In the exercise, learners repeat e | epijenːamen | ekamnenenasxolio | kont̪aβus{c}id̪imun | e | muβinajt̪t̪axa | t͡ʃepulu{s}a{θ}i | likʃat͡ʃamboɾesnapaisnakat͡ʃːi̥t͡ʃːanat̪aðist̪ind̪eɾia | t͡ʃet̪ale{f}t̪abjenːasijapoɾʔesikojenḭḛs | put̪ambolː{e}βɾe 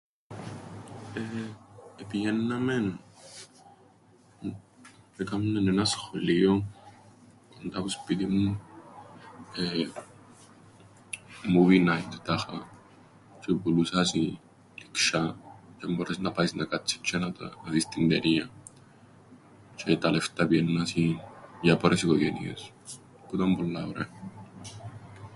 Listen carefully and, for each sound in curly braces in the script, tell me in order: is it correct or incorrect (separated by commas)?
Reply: incorrect, correct, incorrect, correct, incorrect